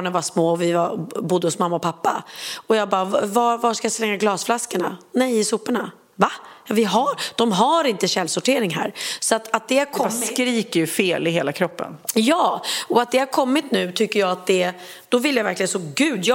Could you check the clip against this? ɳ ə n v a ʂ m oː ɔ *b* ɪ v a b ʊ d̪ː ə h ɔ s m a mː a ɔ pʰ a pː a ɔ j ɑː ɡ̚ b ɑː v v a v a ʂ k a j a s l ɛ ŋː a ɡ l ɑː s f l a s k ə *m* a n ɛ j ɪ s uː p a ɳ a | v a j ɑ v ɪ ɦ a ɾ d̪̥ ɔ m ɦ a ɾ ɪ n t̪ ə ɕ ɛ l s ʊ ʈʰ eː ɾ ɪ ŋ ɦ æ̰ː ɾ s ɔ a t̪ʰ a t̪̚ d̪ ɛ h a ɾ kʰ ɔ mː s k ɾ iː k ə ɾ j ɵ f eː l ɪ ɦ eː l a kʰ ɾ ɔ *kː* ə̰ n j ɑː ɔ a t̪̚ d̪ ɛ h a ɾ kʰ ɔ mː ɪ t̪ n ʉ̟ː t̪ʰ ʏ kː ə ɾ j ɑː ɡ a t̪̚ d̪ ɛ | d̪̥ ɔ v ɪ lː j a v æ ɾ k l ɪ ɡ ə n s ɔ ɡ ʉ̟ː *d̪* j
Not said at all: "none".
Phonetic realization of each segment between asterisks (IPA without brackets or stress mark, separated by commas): v, ɳ, pː, d̪